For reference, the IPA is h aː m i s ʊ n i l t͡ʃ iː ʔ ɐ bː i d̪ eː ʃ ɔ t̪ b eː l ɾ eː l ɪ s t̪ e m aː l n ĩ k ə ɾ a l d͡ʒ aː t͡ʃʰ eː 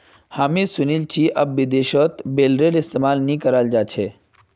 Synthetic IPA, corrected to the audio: h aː m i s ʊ n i l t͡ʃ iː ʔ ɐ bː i d̪ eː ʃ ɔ t̪ b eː l ɾ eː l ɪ s t̪ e m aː l n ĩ k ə ɾ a l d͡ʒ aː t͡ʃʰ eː